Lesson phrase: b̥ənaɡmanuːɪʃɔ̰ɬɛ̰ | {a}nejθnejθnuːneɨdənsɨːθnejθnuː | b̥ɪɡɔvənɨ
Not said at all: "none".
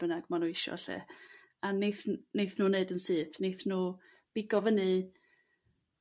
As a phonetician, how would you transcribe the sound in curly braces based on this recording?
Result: a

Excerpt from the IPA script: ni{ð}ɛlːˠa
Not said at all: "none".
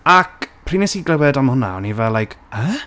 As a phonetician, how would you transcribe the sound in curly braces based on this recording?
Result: v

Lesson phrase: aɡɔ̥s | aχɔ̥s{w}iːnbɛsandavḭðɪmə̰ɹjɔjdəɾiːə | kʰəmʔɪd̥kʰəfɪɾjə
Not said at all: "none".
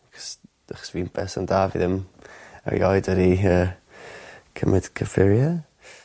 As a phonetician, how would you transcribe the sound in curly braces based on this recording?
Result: v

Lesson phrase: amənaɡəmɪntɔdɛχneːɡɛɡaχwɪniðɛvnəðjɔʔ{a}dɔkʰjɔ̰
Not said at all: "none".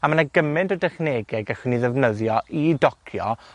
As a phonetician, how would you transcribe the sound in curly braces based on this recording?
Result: i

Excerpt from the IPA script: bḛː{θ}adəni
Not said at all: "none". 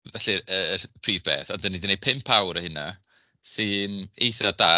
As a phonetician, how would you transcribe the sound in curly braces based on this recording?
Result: θ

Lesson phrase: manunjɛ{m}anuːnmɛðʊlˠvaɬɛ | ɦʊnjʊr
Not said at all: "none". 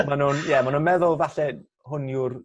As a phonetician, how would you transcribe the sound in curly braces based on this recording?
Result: m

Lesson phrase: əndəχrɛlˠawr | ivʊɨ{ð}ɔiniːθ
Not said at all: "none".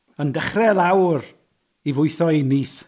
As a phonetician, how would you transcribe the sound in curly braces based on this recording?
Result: θ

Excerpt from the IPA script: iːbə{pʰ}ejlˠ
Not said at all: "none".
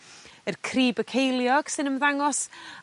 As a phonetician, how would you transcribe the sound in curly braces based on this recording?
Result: kʰ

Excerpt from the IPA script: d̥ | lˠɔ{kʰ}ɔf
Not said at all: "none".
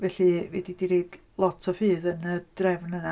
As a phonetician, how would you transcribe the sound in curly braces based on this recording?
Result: tʰ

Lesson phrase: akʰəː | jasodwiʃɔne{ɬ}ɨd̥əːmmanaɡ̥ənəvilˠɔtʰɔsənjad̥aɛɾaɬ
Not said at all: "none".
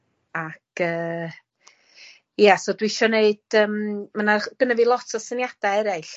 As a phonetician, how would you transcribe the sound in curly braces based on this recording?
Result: none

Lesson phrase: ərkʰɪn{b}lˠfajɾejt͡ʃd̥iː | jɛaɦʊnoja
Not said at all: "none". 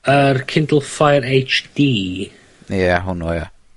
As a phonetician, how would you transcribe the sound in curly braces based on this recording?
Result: d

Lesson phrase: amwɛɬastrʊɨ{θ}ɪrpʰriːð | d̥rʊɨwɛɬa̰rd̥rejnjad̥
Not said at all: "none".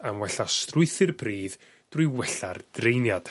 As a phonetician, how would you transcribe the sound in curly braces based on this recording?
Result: θ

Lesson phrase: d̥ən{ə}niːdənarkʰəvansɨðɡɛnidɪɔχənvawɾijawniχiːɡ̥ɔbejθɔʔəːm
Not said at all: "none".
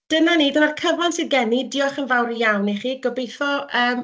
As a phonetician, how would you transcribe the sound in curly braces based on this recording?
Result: a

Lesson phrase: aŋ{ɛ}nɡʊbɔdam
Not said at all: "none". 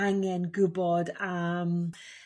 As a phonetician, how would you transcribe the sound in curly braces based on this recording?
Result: ɛ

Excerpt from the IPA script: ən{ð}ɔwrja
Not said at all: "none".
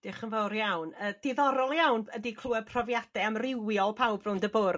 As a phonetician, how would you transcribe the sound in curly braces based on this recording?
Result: v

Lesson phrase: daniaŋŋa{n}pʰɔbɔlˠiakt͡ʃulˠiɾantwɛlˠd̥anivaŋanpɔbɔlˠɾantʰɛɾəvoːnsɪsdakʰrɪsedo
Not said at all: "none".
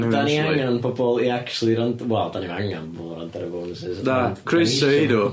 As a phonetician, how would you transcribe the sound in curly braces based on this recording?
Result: n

